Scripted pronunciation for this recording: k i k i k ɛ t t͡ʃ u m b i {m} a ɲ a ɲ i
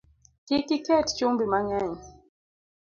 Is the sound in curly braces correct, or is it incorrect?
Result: correct